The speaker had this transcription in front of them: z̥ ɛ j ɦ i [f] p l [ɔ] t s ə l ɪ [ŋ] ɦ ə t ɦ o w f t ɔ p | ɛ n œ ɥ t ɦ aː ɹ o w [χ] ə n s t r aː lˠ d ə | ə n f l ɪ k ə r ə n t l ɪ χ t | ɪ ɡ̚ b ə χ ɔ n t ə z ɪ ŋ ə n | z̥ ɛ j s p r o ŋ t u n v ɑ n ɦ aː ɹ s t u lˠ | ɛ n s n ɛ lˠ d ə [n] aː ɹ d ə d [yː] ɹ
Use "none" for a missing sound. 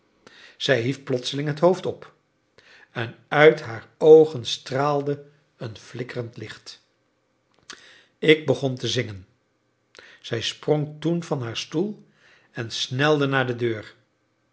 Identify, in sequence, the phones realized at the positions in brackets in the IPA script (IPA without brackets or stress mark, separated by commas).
f, ɔ, ŋ, χ, n, øː